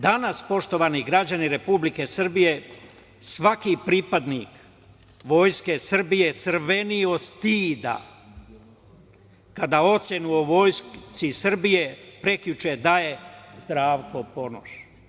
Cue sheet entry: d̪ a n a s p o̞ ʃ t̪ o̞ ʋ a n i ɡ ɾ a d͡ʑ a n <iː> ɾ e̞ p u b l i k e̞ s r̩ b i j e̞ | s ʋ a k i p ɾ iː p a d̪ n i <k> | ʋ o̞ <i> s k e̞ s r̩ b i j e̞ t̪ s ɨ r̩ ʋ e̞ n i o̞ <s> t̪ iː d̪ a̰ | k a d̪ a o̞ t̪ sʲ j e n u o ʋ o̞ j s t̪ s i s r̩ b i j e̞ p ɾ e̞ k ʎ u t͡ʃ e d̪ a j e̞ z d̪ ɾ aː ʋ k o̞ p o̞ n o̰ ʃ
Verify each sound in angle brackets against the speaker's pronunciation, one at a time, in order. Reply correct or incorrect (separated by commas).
incorrect, correct, incorrect, correct